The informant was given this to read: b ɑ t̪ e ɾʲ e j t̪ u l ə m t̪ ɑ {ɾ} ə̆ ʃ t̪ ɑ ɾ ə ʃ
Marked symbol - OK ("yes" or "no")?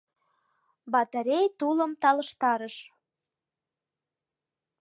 no